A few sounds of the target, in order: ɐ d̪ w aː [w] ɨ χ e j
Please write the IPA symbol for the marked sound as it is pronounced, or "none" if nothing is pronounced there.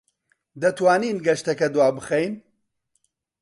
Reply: b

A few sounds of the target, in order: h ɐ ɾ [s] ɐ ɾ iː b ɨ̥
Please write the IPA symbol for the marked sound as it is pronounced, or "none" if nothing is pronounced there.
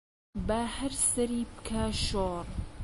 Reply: s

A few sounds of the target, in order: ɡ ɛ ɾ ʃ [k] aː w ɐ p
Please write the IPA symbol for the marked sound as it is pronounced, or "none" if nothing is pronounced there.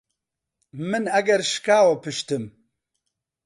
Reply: k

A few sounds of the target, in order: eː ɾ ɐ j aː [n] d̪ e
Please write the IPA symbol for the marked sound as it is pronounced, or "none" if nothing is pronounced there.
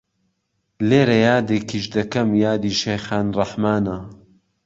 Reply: none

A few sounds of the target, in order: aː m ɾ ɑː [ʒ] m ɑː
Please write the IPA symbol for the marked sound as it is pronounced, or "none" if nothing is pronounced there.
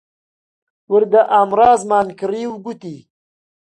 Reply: z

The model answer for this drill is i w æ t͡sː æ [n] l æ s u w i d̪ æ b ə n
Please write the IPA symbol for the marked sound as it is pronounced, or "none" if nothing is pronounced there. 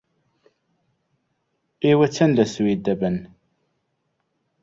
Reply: n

